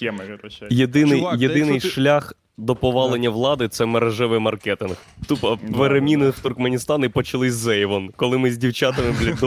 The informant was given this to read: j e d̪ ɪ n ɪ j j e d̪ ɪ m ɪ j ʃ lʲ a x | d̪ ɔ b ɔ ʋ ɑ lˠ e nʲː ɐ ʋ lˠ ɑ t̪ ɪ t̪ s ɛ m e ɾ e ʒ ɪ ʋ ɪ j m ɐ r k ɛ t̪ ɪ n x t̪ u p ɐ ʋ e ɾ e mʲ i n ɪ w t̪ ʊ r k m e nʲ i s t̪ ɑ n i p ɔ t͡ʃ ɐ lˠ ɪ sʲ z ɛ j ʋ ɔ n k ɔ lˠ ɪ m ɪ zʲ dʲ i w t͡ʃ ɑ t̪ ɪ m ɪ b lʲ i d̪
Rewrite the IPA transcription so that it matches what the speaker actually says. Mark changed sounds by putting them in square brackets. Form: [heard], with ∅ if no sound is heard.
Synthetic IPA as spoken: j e d̪ ɪ n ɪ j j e d̪ ɪ [n] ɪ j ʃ lʲ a x | d̪ ɔ [p] ɔ ʋ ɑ lˠ e nʲː ɐ ʋ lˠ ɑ [d̪] ɪ t̪ s ɛ m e ɾ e ʒ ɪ ʋ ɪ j m ɐ r k ɛ t̪ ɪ n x t̪ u p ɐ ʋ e ɾ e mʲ i n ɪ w t̪ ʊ r k m e nʲ i s t̪ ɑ n i p ɔ t͡ʃ ɐ lˠ ɪ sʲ z ɛ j ʋ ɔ n k ɔ lˠ ɪ m ɪ zʲ dʲ i w t͡ʃ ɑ t̪ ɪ m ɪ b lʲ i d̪